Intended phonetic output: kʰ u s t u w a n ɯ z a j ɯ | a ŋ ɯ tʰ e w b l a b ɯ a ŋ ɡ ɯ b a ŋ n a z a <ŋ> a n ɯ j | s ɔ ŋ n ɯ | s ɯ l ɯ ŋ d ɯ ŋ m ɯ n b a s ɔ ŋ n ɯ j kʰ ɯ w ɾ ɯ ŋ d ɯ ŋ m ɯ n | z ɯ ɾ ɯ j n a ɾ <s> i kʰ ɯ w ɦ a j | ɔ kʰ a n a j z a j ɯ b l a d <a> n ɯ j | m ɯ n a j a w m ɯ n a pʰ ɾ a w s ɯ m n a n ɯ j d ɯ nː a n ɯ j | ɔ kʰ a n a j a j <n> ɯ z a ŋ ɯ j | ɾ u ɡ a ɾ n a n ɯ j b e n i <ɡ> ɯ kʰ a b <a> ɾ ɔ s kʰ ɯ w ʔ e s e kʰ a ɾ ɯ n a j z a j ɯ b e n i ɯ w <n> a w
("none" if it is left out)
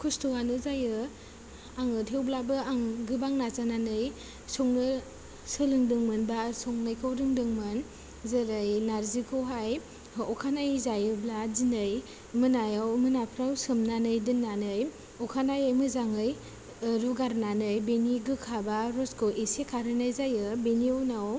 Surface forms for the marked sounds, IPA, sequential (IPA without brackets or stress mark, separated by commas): n, z, i, m, ɡ, a, n